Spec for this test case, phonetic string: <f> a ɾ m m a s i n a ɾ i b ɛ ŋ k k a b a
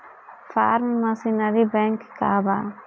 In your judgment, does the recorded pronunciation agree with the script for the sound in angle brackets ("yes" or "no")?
yes